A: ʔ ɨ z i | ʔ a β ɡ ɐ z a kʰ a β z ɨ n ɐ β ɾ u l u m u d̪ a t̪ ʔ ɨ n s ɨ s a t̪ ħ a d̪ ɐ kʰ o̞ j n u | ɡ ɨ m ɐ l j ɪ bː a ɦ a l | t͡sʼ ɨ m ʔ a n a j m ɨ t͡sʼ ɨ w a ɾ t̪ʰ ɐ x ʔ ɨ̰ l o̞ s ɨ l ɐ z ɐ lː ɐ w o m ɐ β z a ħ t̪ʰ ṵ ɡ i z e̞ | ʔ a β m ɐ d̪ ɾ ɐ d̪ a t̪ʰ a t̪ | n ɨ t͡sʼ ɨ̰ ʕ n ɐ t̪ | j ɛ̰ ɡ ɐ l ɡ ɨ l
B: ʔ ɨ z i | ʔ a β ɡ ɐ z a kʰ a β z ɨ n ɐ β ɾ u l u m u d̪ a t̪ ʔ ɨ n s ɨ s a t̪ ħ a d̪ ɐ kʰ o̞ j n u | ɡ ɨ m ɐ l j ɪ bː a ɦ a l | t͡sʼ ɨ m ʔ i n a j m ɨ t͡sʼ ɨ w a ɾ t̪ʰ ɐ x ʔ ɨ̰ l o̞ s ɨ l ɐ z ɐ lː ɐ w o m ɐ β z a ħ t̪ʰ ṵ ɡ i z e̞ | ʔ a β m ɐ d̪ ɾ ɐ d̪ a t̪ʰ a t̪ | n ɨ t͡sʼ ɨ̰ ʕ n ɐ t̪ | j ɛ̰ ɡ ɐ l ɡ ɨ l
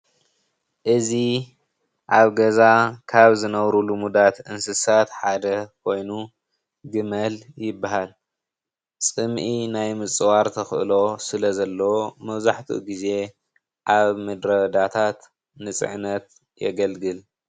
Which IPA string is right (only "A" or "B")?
B